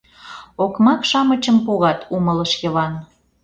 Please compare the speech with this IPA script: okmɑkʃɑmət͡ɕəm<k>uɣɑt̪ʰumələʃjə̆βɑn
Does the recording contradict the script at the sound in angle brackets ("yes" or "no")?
yes